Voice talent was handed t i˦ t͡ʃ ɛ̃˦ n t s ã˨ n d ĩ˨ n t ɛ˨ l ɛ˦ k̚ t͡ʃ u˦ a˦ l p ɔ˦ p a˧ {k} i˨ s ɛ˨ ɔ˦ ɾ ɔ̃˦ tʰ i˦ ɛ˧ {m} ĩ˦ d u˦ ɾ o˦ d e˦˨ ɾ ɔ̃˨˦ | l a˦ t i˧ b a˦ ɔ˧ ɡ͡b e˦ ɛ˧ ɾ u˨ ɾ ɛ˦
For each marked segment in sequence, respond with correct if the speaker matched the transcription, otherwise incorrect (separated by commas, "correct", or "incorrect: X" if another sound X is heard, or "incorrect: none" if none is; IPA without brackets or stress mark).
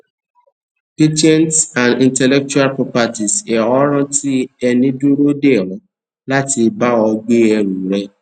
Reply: incorrect: t, incorrect: n